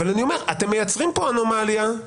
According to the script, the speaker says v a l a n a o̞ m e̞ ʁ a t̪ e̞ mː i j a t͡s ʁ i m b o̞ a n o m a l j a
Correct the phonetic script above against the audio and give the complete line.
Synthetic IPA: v a l a n i o̞ m e̞ ʁ a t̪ e̞ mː e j a t͡s ʁ i m p o̞ a n o m a l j a